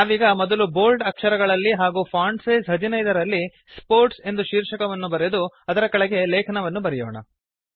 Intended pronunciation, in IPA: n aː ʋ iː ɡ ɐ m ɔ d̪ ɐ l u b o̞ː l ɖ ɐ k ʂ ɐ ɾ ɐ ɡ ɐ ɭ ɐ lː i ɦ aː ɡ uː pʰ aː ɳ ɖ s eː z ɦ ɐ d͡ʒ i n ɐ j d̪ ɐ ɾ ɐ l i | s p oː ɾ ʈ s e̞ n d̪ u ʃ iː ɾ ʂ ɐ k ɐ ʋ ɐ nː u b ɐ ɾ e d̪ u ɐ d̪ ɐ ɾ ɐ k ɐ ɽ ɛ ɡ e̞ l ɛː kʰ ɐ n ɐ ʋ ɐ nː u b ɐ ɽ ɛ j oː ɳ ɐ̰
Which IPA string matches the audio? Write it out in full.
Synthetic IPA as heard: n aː ʋ iː ɡ ɐ m ɔ d̪ ɐ l u b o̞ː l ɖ ɐ k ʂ ɐ ɾ ɐ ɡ ɐ ɭ ɐ lː i ɦ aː ɡ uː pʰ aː ɳ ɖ s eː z ɦ ɐ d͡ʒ i n ɐ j d̪ ɐ ɾ ɐ lː i | s p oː ɾ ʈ s e̞ n d̪ u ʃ iː ɾ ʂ ɐ k ɐ ʋ ɐ nː u b ɐ ɾ e d̪ u ɐ d̪ ɐ ɾ ɐ k ɐ ɭ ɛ ɡ e̞ l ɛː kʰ ɐ n ɐ ʋ ɐ nː u b ɐ ɾ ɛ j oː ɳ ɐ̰